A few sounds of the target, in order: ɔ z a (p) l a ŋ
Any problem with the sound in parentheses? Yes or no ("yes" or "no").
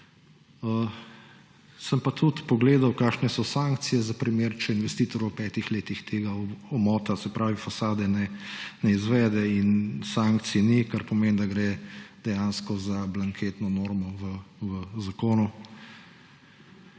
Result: yes